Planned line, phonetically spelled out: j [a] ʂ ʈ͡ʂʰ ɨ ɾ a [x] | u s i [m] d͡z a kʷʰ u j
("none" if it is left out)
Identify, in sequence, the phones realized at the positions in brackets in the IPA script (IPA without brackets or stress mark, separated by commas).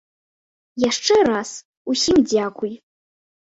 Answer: a, s, m